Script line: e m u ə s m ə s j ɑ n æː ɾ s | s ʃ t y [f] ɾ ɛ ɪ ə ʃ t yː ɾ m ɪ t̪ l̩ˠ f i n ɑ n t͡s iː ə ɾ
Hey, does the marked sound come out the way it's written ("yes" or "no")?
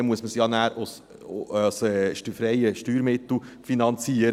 yes